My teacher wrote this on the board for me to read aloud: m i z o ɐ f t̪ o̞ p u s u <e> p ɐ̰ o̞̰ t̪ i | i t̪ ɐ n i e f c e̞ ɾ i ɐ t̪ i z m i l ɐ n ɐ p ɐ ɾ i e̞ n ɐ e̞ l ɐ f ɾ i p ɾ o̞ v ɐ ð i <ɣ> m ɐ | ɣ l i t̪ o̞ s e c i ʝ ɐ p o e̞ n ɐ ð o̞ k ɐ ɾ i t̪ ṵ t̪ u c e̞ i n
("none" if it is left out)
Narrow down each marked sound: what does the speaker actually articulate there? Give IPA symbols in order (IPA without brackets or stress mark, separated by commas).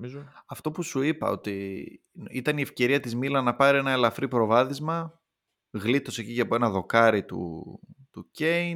i, z